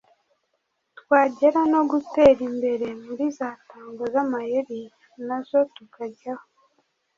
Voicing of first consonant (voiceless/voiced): voiceless